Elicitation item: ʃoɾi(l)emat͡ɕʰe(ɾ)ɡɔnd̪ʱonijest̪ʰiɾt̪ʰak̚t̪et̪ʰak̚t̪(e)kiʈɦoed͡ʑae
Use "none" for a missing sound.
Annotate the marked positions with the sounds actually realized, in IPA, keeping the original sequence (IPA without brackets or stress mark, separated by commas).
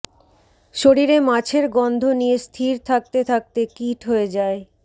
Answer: ɾ, ɾ, e